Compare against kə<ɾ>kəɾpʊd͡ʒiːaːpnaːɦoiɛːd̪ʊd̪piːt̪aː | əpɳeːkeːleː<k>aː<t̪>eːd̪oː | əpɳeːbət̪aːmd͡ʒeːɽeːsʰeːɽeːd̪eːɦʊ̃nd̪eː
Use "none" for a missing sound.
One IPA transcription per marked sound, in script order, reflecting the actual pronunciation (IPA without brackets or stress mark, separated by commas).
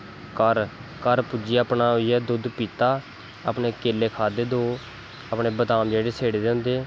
ɾ, kʰ, d̪